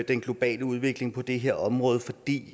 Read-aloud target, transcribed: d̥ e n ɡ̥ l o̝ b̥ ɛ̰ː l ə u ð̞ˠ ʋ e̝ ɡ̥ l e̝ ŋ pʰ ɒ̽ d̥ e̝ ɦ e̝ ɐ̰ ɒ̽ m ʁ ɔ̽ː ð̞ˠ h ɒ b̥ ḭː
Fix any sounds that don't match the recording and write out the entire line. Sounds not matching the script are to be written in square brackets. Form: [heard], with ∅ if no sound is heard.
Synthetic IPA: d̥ e n ɡ̥ l o̝ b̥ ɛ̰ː l ə u ð̞ˠ ʋ e̝ ɡ̥ l e̝ ŋ pʰ ɒ̽ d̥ e̝ ɦ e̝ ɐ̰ ɒ̽ m ʁ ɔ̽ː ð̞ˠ [f] ɒ [d̥] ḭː